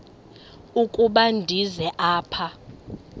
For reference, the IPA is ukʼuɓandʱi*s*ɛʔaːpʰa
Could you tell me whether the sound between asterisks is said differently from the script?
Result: yes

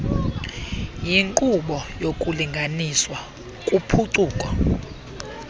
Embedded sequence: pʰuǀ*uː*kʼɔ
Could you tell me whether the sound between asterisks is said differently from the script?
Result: no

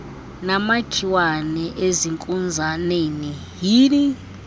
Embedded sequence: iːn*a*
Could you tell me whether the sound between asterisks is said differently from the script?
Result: yes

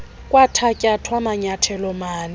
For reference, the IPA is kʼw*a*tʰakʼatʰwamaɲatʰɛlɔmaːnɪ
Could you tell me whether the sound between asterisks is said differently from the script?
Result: no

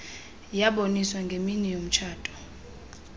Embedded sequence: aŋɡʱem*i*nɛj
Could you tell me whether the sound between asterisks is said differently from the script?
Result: no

